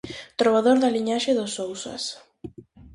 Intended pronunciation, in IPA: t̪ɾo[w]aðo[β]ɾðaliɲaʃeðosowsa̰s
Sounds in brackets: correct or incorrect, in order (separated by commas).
incorrect, incorrect